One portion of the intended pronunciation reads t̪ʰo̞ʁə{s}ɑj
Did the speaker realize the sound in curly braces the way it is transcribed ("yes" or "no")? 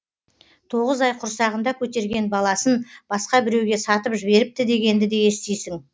no